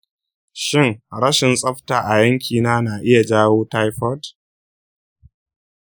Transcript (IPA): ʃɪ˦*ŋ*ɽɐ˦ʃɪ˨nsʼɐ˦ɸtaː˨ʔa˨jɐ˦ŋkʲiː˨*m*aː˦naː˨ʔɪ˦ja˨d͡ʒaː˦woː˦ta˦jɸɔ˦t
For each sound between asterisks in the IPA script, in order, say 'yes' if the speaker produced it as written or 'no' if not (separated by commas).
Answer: yes, no